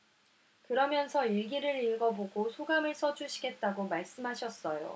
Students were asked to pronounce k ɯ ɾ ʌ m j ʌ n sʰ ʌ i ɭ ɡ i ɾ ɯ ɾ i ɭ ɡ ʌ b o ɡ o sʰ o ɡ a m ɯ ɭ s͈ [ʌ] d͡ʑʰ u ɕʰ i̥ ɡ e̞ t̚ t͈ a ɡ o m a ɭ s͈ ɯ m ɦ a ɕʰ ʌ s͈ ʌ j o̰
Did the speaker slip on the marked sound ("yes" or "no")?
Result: no